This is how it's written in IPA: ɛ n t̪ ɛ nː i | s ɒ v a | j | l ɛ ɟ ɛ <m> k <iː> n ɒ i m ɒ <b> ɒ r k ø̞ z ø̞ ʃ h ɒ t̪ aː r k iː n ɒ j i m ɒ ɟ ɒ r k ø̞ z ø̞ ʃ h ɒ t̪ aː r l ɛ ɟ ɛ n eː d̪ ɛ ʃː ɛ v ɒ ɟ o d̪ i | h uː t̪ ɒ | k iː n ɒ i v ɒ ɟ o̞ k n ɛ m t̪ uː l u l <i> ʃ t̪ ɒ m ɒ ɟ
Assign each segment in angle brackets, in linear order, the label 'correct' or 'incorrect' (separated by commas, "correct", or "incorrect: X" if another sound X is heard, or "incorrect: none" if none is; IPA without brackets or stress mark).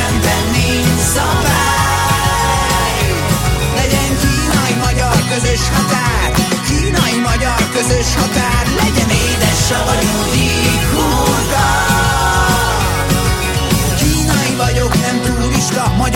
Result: incorrect: ŋ, correct, incorrect: ɟ, correct